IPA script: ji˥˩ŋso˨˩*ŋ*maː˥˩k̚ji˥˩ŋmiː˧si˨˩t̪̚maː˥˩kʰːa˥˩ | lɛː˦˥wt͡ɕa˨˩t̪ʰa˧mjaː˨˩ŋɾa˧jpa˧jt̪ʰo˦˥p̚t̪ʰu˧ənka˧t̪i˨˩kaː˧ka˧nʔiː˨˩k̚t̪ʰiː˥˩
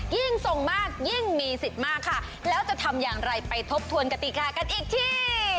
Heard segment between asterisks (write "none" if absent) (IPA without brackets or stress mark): ŋ